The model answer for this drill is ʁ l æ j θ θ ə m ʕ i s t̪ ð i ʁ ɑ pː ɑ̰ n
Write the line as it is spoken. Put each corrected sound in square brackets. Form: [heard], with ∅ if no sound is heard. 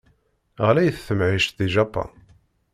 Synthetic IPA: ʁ l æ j θ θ ə m ʕ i [ʃ] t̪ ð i [ʒ] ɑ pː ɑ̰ n